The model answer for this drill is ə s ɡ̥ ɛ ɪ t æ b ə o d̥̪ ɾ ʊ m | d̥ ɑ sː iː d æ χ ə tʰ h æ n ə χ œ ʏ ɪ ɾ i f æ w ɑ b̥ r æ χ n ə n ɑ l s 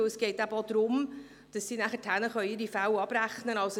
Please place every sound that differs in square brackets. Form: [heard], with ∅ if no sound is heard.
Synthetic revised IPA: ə s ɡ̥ ɛ ɪ t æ b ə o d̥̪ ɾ ʊ m | d̥ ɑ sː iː [n] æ χ ə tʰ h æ n ə χ œ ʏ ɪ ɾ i f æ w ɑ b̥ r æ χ n ə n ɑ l s